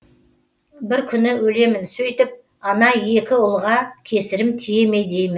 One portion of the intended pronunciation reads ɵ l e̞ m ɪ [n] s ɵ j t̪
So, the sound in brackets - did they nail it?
yes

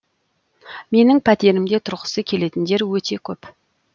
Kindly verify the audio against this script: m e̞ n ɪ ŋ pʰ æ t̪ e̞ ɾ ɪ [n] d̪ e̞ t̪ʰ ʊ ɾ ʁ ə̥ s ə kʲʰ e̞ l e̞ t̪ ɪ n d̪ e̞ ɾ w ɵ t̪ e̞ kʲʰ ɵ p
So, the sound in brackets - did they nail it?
no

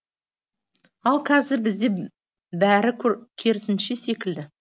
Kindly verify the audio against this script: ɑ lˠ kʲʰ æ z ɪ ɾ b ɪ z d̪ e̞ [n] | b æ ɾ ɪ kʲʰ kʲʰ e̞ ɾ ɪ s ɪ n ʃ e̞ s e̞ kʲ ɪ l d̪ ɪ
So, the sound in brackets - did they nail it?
no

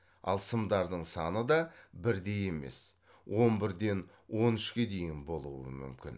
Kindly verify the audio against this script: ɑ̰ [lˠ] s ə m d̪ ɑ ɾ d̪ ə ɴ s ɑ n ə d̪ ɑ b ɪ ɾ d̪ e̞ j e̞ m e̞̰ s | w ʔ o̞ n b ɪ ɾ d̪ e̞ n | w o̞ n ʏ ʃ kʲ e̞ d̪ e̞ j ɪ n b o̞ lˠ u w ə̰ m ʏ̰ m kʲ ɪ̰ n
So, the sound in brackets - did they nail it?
yes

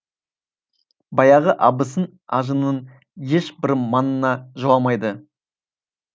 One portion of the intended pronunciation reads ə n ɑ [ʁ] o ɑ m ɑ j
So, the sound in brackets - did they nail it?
no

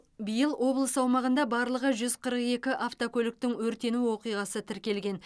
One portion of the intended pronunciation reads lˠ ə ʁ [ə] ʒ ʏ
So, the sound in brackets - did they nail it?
yes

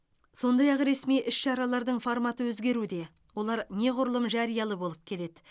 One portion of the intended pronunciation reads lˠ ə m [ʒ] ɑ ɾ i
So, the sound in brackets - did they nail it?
yes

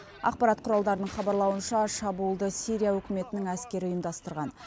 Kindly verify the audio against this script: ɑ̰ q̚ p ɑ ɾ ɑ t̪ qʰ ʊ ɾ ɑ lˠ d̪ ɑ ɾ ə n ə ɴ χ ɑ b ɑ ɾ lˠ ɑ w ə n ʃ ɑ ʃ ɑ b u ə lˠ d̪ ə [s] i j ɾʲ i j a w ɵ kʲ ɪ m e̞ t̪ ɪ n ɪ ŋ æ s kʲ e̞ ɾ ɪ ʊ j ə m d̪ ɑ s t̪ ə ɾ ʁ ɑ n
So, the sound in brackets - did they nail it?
yes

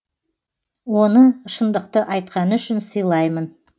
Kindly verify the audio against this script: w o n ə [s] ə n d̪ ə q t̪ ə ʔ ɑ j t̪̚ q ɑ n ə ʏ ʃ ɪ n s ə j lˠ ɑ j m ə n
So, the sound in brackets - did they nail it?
no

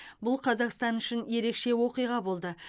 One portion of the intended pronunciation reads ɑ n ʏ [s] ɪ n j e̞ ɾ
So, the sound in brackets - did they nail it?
no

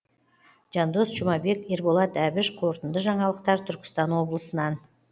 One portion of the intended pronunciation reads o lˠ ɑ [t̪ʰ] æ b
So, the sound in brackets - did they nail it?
no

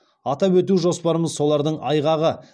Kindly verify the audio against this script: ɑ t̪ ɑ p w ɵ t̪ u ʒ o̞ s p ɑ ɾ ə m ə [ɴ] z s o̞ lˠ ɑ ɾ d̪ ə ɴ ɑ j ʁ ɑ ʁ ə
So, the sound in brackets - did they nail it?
no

